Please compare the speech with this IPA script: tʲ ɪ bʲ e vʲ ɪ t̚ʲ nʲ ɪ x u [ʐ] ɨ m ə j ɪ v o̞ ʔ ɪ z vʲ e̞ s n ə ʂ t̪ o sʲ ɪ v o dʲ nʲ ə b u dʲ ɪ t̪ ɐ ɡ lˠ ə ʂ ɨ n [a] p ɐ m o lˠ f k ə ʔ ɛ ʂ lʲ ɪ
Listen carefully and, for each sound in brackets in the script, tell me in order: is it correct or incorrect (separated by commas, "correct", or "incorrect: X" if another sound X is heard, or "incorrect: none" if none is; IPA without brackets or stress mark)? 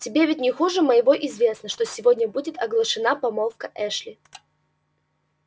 correct, correct